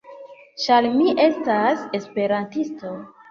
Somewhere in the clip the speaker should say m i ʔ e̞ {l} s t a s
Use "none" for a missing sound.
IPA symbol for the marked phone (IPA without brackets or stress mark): none